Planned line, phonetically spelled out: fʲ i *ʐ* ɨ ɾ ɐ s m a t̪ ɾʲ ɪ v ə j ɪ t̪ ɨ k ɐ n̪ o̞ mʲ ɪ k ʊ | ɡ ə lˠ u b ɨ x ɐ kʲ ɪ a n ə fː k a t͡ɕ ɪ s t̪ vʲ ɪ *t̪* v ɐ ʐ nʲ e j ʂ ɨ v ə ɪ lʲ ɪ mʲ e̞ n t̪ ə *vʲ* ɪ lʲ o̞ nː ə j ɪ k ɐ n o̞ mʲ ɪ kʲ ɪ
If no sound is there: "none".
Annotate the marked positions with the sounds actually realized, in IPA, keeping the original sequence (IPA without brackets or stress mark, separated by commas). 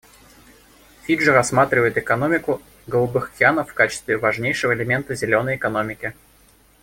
ʐ, none, zʲ